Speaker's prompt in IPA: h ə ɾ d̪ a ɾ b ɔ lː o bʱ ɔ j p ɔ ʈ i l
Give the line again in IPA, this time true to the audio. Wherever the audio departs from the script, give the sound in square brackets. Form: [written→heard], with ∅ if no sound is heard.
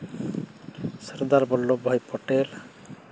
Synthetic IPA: [h→s] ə ɾ d̪ a ɾ b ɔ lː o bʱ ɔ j p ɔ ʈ [i→e] l